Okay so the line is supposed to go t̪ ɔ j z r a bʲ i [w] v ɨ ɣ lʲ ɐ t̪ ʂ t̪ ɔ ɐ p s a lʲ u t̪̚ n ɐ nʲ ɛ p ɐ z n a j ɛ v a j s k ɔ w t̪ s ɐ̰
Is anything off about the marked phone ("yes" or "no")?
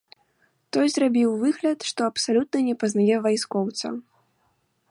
no